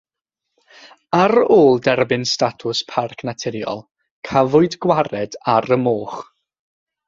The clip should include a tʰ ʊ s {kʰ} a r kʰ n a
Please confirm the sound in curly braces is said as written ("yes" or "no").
no